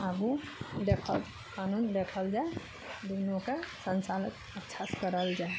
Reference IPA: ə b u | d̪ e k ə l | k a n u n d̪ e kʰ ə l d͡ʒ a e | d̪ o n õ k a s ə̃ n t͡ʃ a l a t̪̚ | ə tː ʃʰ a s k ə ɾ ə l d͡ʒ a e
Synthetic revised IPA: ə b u | d̪ e kʰ ə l | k a n u n d̪ e kʰ ə l d͡ʒ a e | d̪ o n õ k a s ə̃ n t͡ʃ a l ə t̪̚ | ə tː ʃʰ a s k ə ɾ ə l d͡ʒ a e